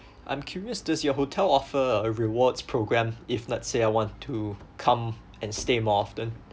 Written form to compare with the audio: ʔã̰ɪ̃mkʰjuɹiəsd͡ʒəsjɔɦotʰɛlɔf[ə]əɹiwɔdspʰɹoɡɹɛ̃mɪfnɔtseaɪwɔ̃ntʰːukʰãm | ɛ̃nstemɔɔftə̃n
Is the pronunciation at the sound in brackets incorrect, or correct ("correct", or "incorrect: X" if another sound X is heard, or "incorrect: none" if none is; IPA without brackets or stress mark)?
correct